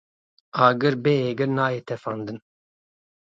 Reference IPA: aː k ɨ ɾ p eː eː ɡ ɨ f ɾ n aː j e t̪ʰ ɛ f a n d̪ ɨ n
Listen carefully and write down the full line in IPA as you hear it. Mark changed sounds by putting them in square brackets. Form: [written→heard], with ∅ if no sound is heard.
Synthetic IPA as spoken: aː [k→ɡ] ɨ ɾ [p→b] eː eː ɡ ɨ [f→∅] ɾ n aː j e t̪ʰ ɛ f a n d̪ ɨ n